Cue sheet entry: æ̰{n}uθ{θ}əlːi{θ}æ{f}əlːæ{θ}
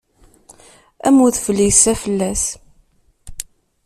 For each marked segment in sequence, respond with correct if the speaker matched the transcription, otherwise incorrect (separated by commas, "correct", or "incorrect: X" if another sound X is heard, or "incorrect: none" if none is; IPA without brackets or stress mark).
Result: incorrect: m, incorrect: f, incorrect: s, correct, incorrect: s